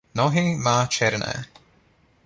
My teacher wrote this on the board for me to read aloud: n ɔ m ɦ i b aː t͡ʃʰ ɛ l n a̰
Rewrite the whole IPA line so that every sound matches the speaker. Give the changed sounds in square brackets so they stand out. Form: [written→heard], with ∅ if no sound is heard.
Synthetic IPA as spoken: n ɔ [m→∅] ɦ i [b→m] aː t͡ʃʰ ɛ [l→ɾ] n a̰